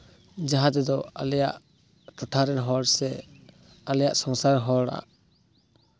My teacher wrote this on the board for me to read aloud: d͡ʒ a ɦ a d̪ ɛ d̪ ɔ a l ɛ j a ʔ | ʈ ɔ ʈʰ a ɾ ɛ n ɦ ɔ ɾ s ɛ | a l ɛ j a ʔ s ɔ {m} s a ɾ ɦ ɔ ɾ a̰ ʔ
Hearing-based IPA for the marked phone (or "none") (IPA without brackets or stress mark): ŋ